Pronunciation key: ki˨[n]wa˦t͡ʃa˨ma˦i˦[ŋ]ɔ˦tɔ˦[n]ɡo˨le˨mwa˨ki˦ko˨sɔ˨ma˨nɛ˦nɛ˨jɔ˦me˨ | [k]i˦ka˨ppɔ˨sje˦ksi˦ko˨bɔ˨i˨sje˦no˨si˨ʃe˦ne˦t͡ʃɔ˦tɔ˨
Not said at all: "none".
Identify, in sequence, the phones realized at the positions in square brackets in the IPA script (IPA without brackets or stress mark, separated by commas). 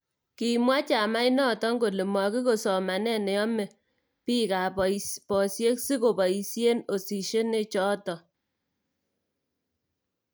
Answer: m, n, ŋ, p